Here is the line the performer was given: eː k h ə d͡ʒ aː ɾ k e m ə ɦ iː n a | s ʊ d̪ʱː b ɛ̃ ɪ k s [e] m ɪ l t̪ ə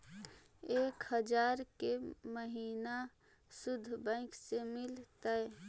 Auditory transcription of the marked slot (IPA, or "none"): e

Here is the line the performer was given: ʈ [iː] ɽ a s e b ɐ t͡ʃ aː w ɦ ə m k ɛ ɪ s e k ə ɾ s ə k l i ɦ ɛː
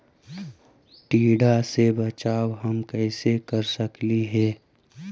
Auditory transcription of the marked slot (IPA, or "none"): iː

